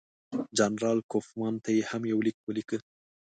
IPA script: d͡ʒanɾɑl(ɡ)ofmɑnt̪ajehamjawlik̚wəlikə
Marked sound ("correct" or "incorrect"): incorrect